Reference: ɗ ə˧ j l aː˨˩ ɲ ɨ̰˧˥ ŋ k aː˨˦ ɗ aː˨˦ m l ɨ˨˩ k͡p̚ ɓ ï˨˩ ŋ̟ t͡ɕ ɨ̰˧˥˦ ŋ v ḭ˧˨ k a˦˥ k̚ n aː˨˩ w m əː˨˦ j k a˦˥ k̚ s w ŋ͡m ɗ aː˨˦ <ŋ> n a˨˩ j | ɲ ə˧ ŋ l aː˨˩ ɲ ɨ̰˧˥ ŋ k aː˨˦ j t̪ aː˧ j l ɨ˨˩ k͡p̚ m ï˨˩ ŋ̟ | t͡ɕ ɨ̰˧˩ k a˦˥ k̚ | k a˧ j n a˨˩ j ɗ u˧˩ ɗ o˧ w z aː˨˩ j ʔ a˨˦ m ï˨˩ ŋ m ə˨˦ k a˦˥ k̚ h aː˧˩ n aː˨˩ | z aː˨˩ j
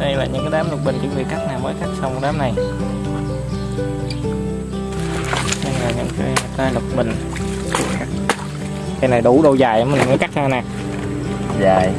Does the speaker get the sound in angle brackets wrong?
yes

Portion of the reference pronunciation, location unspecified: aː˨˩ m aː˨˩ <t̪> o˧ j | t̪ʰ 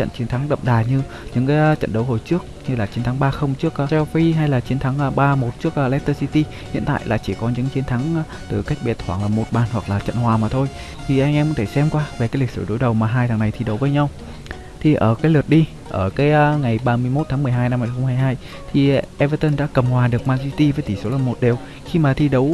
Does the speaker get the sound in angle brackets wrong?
yes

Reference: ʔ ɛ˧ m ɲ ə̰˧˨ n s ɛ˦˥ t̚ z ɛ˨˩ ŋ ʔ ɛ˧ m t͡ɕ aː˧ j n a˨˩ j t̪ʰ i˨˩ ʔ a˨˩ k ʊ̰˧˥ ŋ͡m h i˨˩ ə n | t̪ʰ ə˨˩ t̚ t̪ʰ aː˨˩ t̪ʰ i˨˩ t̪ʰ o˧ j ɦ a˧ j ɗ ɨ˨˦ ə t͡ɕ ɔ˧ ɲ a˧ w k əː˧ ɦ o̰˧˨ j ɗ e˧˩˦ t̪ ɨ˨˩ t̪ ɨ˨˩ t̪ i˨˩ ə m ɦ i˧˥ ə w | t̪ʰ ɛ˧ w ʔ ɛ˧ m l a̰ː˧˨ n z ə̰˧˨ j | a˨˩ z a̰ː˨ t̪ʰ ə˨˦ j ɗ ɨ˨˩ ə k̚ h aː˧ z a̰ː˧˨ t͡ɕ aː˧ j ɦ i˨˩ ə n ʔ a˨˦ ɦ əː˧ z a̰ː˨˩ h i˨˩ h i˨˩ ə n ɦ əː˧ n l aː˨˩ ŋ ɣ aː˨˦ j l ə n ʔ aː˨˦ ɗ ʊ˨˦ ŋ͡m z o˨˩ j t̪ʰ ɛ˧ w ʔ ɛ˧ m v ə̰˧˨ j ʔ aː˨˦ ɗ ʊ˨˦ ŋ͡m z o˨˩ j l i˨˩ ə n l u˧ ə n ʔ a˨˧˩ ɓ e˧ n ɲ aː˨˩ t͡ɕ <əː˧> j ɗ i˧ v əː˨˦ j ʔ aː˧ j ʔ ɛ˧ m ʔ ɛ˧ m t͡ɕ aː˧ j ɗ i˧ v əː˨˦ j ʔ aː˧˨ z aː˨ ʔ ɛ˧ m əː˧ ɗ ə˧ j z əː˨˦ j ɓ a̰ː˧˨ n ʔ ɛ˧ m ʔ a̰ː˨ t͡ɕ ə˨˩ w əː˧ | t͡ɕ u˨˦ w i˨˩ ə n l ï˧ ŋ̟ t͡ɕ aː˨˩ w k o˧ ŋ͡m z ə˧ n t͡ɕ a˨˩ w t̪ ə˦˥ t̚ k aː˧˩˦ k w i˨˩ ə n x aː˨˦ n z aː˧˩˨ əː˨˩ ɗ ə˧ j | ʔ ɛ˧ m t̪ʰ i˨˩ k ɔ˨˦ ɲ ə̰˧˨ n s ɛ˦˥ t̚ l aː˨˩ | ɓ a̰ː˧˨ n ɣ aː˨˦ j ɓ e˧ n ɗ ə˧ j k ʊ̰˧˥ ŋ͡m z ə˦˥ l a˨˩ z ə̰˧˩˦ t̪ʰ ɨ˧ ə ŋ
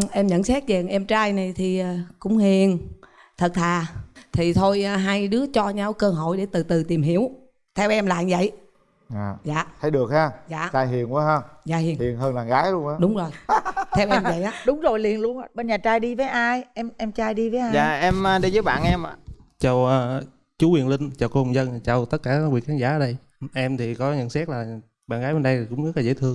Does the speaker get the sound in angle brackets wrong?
yes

